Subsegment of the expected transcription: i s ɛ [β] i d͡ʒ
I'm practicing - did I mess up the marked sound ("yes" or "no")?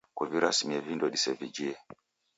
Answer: yes